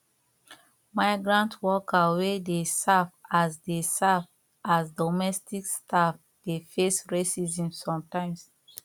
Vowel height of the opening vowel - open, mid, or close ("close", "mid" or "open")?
open